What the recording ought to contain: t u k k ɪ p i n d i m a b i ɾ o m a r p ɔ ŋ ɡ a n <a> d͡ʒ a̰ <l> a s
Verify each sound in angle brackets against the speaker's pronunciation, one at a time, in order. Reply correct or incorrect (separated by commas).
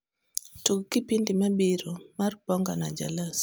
correct, correct